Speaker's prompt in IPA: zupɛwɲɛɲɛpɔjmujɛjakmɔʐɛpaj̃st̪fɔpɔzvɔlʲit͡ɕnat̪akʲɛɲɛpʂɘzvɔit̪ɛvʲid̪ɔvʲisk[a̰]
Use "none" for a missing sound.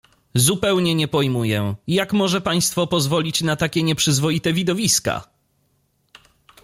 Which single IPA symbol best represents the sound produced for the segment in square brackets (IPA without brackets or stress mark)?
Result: a̰